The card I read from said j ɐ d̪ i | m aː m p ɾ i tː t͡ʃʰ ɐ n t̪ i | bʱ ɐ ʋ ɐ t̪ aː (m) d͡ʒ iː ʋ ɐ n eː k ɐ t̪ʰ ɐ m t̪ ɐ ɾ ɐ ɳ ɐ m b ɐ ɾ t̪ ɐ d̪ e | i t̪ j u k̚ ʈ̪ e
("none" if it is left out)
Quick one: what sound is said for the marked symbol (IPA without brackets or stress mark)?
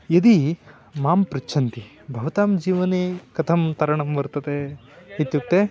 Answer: m